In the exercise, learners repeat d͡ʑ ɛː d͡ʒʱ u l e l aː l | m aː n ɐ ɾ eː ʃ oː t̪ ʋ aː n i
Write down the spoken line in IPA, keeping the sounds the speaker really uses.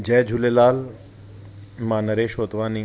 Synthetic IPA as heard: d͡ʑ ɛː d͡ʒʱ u l e l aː l | m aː n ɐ ɾ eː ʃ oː t̪ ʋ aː n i